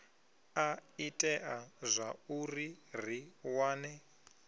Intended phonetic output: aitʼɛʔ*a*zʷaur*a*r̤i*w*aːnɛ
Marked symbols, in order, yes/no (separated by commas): yes, no, yes